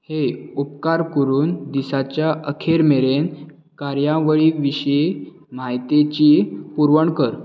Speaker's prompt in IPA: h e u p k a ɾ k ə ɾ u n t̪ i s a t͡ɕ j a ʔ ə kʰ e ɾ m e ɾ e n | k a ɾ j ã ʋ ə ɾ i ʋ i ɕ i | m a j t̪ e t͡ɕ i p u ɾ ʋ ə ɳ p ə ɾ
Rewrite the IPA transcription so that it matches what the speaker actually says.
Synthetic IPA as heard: h e u p k a ɾ k ə ɾ uː n d̪ i s a t͡ɕ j a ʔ ə kʰ e ɾ m e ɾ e n | k a ɾ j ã ʋ ə ɭ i ʋ i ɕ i | m a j t̪ e t͡ɕ i p u ɾ ʋ ə ɳ k ə ɾ